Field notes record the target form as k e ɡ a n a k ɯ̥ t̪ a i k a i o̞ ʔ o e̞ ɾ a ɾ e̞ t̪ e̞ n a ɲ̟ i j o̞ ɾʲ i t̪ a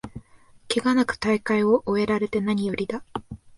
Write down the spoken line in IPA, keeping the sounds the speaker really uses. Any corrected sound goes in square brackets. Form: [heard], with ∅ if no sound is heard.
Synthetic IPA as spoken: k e ɡ a n a k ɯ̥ t̪ a i k a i o̞ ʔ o e̞ ɾ a ɾ e̞ t̪ e̞ n a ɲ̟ i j o̞ ɾʲ i [d̪] a